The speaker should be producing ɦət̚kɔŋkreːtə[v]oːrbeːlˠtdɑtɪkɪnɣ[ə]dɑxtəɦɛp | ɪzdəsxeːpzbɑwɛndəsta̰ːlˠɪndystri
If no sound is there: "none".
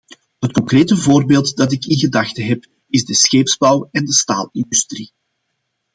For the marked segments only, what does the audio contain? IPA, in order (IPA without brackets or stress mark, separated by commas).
v, ə